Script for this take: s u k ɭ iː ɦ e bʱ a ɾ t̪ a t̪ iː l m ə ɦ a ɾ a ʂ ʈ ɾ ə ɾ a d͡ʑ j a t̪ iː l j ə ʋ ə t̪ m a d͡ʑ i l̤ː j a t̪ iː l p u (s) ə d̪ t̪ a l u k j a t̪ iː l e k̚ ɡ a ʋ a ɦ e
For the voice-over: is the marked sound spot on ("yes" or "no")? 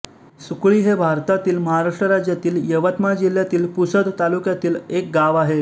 yes